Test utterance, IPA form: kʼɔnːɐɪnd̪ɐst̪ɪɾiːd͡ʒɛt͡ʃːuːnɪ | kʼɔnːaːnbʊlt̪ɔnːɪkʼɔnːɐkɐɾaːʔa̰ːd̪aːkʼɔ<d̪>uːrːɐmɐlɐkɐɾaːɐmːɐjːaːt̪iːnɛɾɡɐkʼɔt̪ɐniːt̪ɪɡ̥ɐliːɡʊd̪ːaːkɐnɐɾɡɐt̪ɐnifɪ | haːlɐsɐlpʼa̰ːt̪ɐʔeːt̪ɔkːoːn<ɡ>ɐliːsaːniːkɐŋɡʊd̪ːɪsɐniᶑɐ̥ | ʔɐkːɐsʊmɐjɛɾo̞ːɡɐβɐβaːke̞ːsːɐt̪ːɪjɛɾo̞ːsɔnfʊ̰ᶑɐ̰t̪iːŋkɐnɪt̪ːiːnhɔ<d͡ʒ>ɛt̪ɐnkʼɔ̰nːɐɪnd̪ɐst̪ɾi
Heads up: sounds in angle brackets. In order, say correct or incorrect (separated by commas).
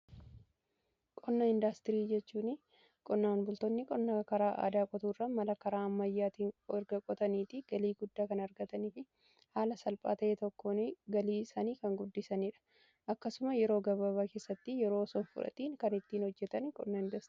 incorrect, correct, incorrect